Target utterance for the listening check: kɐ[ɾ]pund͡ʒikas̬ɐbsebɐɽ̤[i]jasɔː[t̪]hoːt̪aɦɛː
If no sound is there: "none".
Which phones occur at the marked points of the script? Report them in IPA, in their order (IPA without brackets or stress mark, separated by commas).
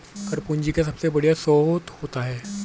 ɾ, i, t̪